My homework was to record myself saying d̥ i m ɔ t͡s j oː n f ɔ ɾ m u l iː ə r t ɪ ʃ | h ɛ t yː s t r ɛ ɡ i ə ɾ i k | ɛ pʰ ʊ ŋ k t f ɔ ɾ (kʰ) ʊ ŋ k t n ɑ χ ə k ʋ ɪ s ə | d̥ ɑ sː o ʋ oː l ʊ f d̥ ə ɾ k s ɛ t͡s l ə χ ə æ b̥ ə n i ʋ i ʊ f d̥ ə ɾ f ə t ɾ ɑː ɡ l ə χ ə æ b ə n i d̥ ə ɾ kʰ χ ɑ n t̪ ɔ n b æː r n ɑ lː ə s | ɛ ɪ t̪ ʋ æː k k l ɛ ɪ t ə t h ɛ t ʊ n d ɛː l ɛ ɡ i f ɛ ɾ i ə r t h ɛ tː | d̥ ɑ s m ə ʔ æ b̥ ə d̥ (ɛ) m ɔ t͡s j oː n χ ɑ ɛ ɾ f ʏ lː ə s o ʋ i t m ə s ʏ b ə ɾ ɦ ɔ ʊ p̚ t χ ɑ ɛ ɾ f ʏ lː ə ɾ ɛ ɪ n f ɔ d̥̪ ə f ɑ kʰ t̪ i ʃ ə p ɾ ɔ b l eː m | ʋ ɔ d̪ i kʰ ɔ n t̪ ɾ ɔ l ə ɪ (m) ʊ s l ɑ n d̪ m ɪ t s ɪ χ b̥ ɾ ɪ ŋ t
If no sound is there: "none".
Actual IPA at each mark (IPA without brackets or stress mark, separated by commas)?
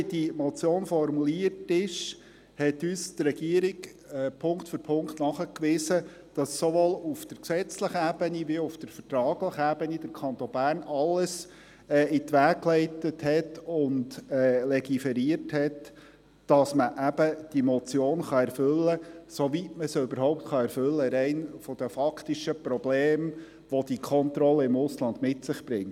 pʰ, i, m